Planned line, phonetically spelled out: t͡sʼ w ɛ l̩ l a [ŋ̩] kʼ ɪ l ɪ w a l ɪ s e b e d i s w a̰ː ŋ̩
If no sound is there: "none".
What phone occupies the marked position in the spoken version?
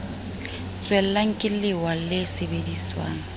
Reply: ŋ̩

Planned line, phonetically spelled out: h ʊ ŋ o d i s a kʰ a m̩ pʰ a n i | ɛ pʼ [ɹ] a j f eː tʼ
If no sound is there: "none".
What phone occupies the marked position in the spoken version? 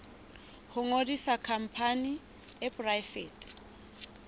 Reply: r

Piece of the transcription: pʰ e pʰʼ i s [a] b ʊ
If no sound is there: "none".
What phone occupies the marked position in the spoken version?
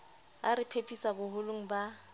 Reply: a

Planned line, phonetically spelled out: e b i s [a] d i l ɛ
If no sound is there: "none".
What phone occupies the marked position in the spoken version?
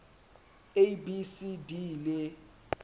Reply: i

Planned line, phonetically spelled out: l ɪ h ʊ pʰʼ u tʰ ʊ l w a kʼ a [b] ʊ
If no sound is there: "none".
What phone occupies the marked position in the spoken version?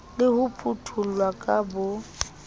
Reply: b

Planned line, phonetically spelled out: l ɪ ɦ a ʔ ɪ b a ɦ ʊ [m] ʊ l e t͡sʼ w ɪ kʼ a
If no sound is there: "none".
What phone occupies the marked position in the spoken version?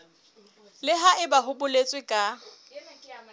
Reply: b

